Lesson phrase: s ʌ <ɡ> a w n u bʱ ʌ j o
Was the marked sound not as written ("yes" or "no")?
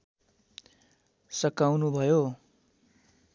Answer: yes